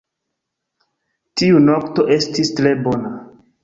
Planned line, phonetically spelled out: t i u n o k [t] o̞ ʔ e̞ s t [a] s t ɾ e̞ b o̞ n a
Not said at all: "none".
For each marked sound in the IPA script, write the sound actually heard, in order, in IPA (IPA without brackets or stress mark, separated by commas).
t, i